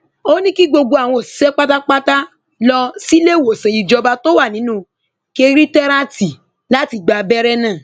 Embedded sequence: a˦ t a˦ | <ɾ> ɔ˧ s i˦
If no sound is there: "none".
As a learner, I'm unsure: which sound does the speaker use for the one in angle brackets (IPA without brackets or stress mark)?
l